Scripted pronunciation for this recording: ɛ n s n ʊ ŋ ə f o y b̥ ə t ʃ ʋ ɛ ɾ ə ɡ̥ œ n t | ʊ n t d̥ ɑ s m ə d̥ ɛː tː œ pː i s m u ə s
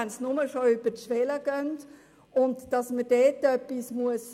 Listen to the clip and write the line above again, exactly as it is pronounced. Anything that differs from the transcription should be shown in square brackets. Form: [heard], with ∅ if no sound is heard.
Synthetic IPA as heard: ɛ n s n ʊ [m] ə [ʃ] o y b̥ ə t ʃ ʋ ɛ [l] ə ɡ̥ œ n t | ʊ n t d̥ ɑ s m ə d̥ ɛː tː œ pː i s m u ə s

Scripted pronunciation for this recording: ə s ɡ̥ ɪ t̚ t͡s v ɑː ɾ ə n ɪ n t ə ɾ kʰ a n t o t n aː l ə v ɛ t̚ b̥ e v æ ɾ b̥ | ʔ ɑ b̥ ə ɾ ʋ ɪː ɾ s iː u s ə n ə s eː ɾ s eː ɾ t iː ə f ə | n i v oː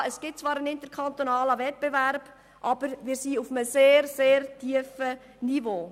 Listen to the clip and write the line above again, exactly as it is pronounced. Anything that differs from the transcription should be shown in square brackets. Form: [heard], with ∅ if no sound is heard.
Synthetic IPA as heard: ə s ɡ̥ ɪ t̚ t͡s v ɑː ɾ ə n ɪ n t ə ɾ kʰ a n t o [∅] n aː l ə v ɛ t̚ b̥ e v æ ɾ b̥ | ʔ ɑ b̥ ə ɾ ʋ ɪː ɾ s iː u [f] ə [m] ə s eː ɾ s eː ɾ t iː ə f ə | n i v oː

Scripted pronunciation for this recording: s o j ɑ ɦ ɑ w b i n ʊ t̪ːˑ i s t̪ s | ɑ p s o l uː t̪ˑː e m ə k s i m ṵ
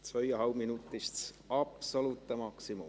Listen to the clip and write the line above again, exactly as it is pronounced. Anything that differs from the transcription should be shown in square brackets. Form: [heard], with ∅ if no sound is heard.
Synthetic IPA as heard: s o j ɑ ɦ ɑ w [m] i n [u] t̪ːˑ i s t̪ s | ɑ p s o l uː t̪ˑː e m [ɑ] k s i m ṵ

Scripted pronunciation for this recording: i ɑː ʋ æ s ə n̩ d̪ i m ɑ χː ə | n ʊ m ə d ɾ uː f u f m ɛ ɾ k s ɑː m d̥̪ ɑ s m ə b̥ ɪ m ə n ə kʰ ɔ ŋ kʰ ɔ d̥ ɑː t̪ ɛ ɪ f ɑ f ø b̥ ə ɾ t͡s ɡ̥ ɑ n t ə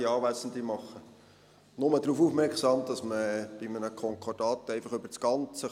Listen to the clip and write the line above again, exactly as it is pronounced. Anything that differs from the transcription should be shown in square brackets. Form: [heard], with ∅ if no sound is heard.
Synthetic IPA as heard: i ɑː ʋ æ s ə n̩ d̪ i m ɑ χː ə | n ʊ m ə d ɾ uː f u f m ɛ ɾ k s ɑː m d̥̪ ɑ s m ə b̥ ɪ m ə n ə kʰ ɔ ŋ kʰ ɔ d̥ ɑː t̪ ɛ ɪ f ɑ [χ] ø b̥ ə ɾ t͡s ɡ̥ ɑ n [t͡s] ə

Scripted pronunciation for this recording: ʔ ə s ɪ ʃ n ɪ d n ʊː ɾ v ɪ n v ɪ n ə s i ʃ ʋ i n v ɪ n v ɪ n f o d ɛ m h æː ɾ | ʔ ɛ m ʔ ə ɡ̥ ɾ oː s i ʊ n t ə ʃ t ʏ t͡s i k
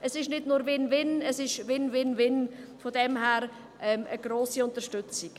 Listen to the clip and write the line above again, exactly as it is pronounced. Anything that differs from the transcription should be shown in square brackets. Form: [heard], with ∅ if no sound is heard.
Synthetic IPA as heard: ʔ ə s ɪ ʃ n ɪ d n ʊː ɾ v ɪ n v ɪ n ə s [ɪ] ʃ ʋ [ɪ] n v ɪ n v ɪ n f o d ɛ m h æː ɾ | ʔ ɛ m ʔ ə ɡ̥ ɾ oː s i ʊ n t ə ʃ t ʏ t͡s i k

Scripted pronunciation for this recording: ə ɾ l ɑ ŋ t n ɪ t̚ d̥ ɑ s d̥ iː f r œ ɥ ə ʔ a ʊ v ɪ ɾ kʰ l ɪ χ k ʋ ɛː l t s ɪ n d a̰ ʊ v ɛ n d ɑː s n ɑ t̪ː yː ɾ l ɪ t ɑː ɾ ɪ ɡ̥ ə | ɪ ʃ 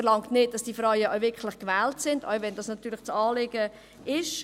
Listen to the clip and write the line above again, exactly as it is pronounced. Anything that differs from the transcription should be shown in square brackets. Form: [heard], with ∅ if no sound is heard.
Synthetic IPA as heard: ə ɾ l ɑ ŋ t n ɪ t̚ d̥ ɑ s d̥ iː f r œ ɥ ə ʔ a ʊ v ɪ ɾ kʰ l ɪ χ k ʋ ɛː l t s ɪ n d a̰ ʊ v ɛ n d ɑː s n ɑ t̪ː yː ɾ l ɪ [t͡s] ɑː [l] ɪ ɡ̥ ə | ɪ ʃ

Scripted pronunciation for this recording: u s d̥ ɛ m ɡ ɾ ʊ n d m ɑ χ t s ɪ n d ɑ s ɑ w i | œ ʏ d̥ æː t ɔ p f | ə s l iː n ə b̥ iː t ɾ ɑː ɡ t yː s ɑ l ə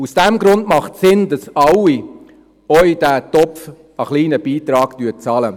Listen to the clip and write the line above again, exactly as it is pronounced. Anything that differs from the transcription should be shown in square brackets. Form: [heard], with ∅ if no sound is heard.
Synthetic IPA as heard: u s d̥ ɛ m ɡ ɾ ʊ n d m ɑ χ t s ɪ n d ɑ s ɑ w i | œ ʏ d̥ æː t ɔ p f | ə [χ] l iː n ə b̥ iː t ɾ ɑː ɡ t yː [t͡s] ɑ l ə

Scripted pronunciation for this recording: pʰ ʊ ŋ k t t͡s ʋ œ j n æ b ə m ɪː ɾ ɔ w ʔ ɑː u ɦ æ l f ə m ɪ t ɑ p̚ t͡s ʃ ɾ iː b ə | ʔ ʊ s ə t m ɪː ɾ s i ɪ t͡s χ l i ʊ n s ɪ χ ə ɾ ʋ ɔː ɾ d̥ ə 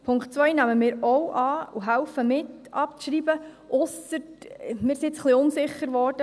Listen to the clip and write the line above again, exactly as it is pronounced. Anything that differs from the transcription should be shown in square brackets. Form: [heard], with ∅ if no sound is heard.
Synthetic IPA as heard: pʰ ʊ ŋ k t t͡s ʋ œ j n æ [m] ə m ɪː ɾ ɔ w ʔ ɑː u ɦ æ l f ə m ɪ t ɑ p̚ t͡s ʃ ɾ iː b ə | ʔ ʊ s ə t m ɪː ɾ s i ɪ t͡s χ l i ʊ n s ɪ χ ə ɾ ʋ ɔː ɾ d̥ ə

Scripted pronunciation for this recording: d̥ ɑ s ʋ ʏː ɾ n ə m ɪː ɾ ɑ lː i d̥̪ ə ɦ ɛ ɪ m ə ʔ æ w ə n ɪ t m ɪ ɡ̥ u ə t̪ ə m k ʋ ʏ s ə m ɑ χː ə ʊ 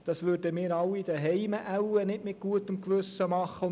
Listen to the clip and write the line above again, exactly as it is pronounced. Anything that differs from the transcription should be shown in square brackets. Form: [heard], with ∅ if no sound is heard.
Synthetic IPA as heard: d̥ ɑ s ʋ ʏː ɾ [d] ə m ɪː ɾ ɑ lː i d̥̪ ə ɦ ɛ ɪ m ə ʔ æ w ə n ɪ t m ɪ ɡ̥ u ə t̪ ə m k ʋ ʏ s ə m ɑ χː ə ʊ

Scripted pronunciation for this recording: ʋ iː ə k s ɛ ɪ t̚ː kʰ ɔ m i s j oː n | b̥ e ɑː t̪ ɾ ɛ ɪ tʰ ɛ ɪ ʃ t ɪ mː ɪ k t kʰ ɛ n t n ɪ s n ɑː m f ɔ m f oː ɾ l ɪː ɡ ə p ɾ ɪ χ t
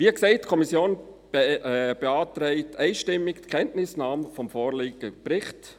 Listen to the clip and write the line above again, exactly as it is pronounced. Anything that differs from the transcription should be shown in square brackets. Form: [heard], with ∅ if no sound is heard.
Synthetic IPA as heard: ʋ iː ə k s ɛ ɪ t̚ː kʰ ɔ m i s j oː n | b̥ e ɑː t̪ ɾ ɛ ɪ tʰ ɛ ɪ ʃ t ɪ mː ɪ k t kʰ ɛ n t n ɪ s n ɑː m f ɔ m f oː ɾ l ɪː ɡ ə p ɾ ɪ χ t

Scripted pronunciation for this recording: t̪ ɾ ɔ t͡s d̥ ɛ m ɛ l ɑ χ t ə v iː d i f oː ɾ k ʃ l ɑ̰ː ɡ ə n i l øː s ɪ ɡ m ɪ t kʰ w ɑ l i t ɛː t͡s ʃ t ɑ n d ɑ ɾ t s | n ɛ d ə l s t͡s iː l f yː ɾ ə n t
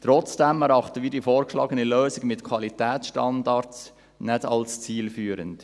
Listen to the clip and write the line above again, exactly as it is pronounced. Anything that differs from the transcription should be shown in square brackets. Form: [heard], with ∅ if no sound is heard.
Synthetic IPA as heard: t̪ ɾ ɔ t͡s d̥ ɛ m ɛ [ɾ] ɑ χ t ə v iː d i f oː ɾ k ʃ l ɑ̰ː ɡ ə n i l øː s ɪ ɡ m ɪ t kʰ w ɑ l i t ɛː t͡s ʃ t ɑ n d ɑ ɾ t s | n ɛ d [ɑ] l s t͡s iː l f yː ɾ ə n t

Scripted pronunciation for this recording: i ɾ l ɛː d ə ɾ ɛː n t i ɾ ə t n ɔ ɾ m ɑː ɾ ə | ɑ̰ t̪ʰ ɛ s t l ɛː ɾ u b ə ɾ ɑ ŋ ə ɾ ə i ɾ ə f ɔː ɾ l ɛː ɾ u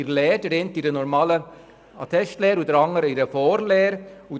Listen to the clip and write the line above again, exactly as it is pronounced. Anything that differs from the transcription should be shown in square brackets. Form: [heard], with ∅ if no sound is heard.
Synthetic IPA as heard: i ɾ l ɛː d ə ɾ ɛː n t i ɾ ə [∅] n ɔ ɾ m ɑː [l] ə | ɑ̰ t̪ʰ ɛ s t l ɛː ɾ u [d] ə ɾ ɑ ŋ ə ɾ ə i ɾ ə f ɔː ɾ l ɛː ɾ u

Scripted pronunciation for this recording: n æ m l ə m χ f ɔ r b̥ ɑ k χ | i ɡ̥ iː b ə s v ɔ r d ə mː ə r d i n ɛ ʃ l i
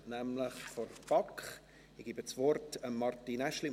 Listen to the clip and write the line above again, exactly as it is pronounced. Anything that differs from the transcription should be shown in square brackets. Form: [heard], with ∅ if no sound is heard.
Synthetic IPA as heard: n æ m l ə [∅] χ f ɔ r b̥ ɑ k χ | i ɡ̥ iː b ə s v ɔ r [t] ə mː [ɑ] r [t] i n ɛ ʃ l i

